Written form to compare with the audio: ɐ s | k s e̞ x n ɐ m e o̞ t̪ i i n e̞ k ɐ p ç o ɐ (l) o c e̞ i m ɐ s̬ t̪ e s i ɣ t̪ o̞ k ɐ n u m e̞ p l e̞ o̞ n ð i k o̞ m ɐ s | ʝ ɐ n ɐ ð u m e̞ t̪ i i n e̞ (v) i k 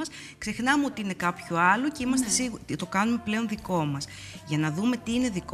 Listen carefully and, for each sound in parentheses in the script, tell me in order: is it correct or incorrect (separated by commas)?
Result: correct, incorrect